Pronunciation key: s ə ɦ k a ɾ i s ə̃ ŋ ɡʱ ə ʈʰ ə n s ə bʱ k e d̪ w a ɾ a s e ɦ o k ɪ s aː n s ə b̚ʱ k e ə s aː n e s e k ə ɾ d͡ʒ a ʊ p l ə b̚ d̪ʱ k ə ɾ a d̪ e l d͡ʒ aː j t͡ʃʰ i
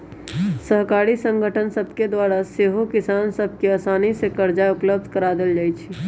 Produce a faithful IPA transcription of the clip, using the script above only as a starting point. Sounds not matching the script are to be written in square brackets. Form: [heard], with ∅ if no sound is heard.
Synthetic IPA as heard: s ə ɦ k a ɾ i s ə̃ ŋ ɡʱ ə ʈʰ ə n s ə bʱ k e d̪ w a ɾ a s e ɦ o k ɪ s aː n s ə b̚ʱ k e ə s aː n [i] s e k ə ɾ d͡ʒ a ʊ p l ə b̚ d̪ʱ k ə ɾ a d̪ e l d͡ʒ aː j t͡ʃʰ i